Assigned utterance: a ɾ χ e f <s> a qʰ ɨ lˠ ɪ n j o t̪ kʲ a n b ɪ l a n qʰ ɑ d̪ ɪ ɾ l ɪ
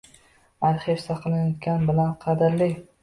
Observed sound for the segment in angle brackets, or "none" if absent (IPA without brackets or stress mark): s